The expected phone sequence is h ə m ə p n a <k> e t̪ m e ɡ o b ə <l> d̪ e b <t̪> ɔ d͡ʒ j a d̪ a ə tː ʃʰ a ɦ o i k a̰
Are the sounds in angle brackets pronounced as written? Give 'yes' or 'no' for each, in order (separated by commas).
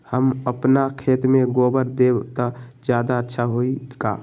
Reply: no, no, yes